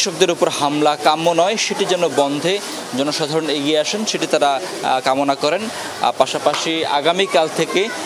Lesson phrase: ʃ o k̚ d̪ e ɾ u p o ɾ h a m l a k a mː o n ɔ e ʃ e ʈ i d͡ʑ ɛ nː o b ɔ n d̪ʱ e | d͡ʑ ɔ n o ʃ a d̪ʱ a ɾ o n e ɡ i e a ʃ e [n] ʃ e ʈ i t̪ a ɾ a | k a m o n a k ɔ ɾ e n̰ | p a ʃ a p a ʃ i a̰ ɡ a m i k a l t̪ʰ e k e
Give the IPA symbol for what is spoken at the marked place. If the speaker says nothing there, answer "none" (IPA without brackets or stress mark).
n